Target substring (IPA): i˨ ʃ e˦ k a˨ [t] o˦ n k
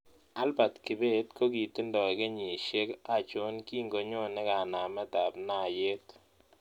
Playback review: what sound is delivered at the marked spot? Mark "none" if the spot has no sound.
t͡ʃ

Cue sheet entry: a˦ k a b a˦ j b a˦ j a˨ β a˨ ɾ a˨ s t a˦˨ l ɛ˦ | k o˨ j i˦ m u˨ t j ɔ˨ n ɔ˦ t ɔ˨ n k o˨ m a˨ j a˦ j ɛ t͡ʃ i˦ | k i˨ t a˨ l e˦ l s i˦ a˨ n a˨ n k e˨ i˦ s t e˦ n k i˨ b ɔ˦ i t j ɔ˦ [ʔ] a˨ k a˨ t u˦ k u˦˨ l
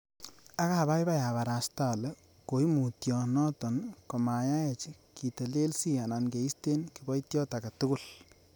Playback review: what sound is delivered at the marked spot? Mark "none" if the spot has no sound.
t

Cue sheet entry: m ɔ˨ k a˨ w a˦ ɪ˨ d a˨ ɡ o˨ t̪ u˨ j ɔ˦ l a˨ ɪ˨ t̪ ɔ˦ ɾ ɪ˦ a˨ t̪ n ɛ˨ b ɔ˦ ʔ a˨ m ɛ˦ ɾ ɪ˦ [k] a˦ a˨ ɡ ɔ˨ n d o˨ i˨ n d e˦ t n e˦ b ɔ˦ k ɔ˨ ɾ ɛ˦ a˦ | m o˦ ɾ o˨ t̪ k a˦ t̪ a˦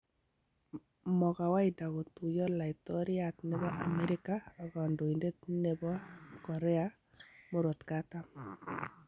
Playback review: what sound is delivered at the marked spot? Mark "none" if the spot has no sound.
k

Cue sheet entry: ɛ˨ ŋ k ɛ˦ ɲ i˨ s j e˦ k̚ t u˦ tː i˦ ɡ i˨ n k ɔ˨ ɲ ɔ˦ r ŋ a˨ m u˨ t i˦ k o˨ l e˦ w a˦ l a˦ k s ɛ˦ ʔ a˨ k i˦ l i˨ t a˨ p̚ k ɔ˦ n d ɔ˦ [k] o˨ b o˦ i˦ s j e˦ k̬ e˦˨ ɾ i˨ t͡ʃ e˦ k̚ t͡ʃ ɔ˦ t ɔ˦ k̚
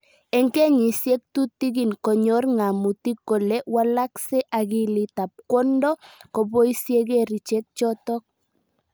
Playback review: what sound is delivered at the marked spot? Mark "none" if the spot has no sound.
k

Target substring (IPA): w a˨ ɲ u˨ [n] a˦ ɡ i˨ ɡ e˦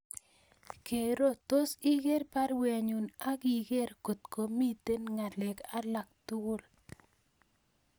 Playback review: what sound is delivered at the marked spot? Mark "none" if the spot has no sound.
n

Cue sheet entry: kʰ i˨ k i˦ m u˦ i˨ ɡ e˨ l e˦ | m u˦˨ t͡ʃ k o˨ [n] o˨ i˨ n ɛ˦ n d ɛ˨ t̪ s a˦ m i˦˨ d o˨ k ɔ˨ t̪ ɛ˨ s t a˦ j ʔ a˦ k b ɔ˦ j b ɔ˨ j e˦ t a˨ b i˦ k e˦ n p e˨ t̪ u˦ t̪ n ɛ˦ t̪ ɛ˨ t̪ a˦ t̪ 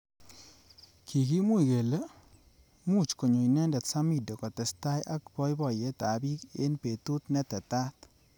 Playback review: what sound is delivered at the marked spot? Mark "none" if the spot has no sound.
ɲ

